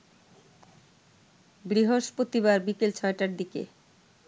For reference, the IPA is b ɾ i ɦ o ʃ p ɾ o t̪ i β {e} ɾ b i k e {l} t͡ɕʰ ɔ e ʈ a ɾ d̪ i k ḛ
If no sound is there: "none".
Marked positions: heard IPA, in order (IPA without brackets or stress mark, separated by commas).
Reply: a, l